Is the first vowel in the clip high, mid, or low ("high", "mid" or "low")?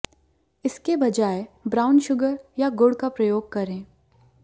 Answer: high